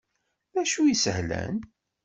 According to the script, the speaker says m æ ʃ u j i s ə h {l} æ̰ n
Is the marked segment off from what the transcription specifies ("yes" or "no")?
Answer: no